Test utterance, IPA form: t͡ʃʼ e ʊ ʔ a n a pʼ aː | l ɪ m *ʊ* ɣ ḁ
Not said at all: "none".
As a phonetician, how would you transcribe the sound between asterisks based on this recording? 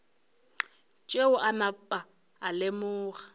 ʊː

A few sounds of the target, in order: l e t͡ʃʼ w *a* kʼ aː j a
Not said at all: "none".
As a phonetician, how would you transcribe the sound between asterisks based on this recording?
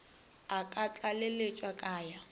a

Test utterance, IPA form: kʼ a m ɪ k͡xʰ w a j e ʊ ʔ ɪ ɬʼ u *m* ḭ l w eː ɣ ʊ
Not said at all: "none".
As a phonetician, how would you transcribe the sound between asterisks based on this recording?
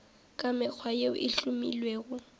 m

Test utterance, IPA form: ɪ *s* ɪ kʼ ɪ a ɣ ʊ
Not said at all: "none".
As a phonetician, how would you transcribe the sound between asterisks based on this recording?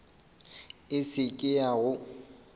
s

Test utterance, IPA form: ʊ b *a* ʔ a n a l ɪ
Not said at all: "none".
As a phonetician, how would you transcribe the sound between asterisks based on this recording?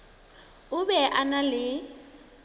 ɛ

